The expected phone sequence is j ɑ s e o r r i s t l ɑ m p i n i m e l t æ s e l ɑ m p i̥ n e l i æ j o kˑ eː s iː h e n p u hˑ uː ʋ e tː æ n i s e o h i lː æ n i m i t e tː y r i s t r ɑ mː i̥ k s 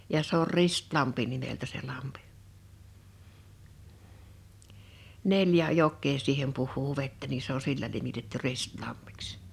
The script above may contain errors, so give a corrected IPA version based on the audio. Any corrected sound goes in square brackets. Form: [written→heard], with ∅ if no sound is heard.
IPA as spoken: j ɑ s e o r r i s t l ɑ m p i n i m e l t æ s e l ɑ m p i̥ n e l [i→j] æ j o kˑ eː s iː h e [n→m] p u hˑ uː ʋ e tː æ n i s e o [h→s] i lː æ n i m i t e tː y r i s t [r→l] ɑ mː i̥ k s